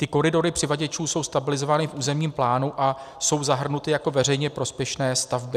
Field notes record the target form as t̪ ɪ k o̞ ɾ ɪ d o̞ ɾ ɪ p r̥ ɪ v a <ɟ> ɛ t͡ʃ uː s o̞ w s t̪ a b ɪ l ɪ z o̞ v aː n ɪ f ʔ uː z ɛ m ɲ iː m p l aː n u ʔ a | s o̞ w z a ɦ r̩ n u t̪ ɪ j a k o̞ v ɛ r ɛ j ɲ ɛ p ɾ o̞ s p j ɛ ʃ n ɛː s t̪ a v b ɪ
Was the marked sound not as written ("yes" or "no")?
no